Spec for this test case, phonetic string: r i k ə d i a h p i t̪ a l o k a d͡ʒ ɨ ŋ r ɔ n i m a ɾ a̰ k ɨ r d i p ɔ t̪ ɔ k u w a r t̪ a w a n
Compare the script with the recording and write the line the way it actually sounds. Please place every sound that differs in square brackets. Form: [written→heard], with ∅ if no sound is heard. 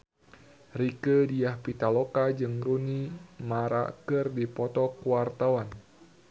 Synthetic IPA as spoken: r i k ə d i a h p i t̪ a l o k a d͡ʒ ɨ ŋ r [ɔ→u] n i m a ɾ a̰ k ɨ r d i p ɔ t̪ ɔ k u w a r t̪ a w a n

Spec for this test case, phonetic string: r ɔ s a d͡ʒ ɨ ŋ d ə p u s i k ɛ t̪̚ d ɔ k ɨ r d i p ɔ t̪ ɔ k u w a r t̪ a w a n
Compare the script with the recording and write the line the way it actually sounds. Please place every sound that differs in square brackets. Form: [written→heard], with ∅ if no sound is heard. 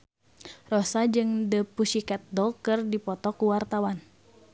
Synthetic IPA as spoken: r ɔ s a d͡ʒ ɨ ŋ d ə p u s i k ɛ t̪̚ d ɔ k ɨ r d i p ɔ t̪ ɔ k u w a r t̪ a w a n

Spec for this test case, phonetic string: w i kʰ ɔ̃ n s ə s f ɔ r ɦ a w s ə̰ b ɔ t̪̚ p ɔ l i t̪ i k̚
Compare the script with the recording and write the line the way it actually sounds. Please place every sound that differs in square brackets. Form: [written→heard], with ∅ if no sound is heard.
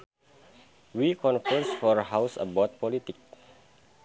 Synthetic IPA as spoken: w i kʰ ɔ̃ n [s→f] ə s f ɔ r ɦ a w s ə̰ b ɔ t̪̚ p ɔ l i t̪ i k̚

